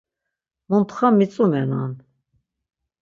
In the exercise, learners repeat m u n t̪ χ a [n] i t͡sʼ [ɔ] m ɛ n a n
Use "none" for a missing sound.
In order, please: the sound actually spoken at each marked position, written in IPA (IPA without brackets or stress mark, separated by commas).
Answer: m, u